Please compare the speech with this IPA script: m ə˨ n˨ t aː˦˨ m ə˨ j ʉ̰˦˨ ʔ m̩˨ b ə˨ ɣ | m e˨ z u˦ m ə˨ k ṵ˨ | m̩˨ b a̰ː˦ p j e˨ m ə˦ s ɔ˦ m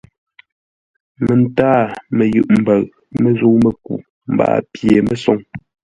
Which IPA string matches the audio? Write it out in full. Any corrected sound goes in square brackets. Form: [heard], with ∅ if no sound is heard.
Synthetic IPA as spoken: m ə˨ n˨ t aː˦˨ m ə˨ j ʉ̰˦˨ ʔ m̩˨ b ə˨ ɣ | m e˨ z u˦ m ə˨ k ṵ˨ | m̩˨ b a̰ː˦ p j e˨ m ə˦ s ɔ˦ [ŋ]